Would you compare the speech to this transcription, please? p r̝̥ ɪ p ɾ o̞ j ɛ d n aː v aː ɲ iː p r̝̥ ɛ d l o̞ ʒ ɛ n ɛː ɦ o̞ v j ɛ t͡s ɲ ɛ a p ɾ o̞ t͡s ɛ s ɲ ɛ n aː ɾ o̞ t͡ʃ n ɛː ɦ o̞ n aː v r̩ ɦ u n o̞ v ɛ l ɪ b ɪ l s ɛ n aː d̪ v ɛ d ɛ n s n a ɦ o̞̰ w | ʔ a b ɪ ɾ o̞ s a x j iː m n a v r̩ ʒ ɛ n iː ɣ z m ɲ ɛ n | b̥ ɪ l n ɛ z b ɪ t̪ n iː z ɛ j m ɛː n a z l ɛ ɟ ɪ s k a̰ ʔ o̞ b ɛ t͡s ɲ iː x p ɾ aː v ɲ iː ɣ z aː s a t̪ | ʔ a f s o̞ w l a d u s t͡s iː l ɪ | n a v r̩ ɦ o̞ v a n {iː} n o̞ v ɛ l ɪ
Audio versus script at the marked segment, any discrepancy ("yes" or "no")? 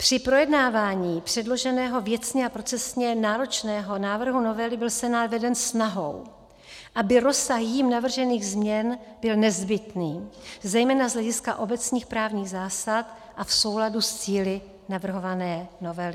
yes